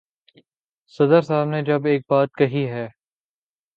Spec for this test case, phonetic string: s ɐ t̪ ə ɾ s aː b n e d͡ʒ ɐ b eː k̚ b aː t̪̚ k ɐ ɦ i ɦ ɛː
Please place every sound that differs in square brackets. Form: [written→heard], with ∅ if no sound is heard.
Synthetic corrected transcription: s ɐ [t̪→d̪] ə ɾ s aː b n e d͡ʒ ɐ b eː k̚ b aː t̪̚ k ɐ ɦ i ɦ ɛː